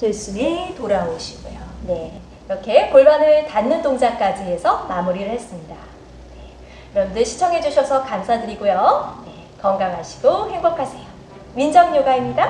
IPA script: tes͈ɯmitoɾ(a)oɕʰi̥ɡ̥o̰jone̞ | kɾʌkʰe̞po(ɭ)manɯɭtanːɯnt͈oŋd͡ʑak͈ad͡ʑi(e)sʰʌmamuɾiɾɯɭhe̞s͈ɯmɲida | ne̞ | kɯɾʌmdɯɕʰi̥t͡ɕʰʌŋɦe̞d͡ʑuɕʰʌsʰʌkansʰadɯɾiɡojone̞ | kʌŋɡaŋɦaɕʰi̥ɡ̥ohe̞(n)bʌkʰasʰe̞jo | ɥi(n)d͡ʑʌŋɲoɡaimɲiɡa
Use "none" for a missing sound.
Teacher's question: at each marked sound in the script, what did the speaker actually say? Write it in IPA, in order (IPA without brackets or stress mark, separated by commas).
a, ɭ, e, ŋ, n